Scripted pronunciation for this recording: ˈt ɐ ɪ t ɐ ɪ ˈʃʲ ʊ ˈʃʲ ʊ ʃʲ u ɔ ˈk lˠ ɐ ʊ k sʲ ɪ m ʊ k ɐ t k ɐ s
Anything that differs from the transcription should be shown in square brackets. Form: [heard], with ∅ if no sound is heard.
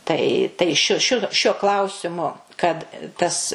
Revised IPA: ˈt ɐ ɪ t ɐ ɪ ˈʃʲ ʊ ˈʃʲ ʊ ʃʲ u ɔ ˈk lˠ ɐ ʊ [∅] sʲ ɪ m ʊ k ɐ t [t] ɐ s